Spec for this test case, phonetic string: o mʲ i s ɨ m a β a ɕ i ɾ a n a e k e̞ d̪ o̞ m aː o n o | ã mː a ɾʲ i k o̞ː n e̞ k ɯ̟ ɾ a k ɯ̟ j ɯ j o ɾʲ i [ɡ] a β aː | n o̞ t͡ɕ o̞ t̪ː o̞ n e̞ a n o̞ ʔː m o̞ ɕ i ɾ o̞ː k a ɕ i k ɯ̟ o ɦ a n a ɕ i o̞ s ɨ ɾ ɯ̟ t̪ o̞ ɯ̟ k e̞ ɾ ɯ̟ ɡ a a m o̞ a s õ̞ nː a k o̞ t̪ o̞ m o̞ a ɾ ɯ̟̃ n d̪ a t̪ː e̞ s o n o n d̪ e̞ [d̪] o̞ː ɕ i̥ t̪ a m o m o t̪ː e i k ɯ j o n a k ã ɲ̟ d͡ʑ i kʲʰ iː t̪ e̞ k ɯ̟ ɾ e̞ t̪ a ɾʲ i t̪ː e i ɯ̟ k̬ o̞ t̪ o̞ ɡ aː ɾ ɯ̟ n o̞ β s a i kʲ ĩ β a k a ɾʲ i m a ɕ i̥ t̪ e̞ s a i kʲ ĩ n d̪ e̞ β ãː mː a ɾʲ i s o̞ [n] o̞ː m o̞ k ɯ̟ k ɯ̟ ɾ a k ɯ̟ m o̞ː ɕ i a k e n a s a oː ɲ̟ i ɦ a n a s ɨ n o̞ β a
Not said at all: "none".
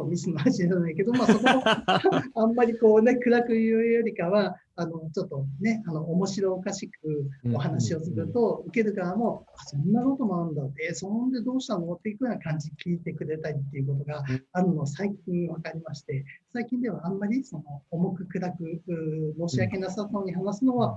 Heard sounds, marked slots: k, d̪, n

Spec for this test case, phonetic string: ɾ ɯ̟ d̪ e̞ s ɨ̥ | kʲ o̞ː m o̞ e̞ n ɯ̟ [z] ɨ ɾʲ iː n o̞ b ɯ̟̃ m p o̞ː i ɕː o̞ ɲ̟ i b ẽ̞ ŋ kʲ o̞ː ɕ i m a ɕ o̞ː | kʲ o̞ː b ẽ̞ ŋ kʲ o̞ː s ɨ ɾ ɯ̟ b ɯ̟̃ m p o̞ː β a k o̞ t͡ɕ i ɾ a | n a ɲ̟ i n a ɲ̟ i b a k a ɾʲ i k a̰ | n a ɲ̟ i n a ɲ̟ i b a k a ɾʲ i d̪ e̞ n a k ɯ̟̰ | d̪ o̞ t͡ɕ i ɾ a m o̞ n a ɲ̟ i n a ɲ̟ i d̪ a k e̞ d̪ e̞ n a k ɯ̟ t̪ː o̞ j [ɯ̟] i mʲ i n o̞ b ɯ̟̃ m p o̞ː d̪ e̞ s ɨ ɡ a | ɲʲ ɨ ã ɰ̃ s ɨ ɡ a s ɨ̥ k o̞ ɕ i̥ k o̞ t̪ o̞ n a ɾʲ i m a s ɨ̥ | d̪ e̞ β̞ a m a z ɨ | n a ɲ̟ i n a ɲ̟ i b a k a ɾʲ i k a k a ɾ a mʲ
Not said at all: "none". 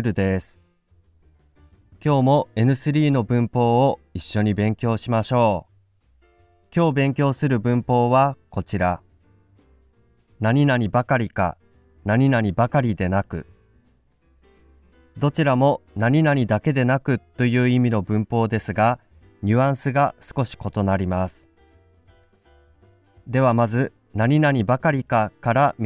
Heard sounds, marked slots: s, ɯ̟ː

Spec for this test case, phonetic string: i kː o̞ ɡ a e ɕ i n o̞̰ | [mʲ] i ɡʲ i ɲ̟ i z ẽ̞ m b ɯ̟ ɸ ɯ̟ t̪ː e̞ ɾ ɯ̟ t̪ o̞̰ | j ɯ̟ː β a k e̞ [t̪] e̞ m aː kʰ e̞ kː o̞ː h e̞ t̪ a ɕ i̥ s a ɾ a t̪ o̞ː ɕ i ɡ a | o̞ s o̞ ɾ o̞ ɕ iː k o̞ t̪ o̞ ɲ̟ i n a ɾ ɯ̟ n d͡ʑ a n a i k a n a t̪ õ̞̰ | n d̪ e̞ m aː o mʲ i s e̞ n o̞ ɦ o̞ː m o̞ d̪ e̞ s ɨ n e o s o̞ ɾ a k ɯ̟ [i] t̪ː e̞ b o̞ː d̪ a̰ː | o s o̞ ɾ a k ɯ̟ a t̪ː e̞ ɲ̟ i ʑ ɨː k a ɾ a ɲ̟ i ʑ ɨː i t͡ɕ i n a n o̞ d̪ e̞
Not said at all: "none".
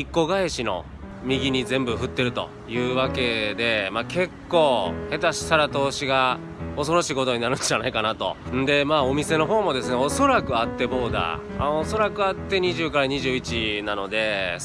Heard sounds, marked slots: mʲ, d̪, a

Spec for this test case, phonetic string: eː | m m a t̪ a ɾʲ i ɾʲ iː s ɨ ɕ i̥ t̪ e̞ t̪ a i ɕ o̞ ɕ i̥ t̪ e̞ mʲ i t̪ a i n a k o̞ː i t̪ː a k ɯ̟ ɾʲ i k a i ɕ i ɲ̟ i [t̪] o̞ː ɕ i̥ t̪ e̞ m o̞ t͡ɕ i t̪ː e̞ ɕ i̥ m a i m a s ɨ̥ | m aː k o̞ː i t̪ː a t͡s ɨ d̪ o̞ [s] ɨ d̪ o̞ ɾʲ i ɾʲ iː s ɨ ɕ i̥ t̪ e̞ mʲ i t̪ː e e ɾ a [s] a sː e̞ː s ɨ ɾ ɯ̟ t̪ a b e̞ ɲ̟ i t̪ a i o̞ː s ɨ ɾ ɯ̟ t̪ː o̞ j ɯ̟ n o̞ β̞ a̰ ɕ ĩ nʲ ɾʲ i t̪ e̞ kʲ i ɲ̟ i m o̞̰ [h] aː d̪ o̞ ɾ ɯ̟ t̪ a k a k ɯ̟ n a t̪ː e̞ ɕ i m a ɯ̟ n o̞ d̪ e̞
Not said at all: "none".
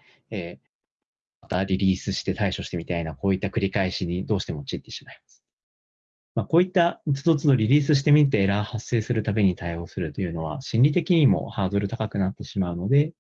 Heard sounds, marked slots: d̪, t͡s, h, h

